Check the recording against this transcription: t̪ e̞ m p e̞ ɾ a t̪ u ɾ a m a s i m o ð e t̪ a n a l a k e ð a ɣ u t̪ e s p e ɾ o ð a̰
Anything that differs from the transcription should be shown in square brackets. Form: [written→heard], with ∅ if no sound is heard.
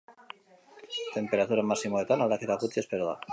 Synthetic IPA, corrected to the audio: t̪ e̞ m p e̞ ɾ a t̪ u ɾ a m a s i m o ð e t̪ a n a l a k e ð a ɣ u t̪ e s p e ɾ o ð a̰